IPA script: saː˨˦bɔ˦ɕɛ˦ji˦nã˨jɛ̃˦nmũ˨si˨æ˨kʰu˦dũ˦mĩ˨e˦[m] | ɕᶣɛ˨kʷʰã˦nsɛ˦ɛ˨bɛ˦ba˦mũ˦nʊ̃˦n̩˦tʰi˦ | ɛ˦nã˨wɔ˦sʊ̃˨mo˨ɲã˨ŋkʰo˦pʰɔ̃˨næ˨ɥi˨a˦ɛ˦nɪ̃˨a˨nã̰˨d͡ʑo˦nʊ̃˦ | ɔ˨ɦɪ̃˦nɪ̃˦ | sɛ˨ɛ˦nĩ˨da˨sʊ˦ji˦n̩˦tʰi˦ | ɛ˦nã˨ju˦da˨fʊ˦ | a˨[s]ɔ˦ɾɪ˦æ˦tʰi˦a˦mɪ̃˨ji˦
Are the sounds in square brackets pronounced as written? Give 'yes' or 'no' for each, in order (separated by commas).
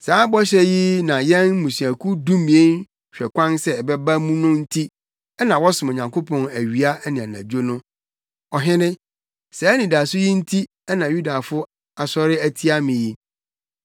no, yes